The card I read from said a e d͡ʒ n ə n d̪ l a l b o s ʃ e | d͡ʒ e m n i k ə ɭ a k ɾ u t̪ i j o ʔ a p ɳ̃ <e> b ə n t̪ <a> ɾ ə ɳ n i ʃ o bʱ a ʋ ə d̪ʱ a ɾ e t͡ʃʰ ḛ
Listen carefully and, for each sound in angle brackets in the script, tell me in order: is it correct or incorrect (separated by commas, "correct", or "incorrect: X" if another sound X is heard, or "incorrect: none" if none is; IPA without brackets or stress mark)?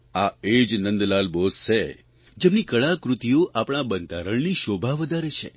incorrect: a, correct